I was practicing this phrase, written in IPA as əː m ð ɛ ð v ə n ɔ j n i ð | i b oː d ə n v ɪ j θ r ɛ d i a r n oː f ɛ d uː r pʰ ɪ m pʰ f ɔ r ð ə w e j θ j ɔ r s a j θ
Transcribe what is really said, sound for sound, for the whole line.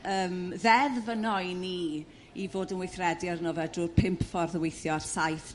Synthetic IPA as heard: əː m ð ɛ ð v ə n ɔ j n i | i v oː d ə n w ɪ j θ r ɛ d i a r n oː v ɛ d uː r pʰ ɪ m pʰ f ɔ r ð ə w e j θ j ɔ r s a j θ